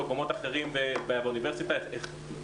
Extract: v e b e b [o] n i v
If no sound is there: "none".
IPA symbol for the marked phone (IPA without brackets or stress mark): u